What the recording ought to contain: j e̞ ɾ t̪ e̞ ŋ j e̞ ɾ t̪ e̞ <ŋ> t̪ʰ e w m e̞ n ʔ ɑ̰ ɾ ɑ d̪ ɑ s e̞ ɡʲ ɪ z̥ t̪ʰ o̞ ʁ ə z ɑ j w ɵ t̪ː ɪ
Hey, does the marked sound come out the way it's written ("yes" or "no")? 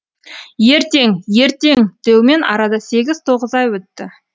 yes